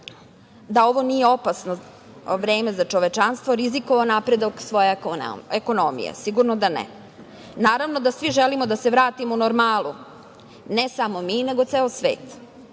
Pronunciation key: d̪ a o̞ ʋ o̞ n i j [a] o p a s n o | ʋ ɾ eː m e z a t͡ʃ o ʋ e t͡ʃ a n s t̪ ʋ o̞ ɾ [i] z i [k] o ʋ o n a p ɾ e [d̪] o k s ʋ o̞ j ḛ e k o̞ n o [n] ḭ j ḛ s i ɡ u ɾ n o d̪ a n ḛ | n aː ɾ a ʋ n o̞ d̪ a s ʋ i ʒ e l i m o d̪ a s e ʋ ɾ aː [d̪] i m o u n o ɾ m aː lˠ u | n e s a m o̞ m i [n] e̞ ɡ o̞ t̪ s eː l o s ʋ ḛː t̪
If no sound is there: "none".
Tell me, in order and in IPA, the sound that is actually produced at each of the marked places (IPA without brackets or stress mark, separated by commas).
e, i, k, d̪, m, t̪, n